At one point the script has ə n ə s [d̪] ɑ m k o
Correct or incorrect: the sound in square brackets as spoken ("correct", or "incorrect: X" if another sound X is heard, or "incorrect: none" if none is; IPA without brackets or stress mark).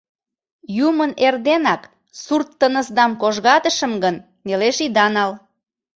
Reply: correct